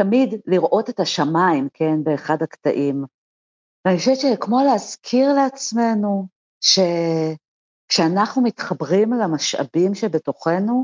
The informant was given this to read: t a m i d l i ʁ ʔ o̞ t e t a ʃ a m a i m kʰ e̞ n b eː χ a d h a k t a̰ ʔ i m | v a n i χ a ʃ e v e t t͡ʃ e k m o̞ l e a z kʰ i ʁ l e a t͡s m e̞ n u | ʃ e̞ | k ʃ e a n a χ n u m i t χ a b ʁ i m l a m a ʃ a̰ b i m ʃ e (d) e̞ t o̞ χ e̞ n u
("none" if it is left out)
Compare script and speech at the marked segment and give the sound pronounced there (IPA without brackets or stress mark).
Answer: b